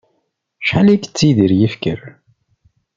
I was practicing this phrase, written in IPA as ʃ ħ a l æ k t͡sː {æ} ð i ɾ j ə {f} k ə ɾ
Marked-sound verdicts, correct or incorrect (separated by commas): incorrect, correct